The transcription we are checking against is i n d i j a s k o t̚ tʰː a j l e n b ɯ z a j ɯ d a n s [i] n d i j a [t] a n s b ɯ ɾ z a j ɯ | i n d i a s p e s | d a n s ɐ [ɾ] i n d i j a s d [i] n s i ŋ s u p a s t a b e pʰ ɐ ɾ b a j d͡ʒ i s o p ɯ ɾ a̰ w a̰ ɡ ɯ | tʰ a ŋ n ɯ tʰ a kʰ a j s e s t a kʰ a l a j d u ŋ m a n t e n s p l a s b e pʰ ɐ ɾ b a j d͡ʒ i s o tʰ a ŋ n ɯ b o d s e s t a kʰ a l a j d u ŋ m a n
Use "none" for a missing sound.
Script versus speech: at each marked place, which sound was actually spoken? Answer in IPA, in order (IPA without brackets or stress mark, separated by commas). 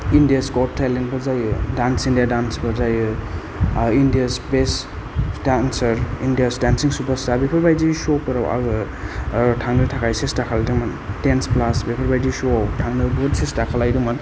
i, d, ɾ, a